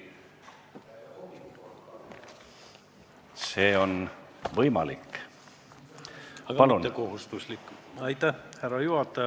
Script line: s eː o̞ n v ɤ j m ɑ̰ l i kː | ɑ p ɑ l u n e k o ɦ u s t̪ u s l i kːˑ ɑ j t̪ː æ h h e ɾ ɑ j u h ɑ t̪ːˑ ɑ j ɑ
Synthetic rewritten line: s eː o̞ n v ɤ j m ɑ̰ l i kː | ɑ p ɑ l u n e k o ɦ u s t̪ u s l i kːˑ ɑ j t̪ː æ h h æ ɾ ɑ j u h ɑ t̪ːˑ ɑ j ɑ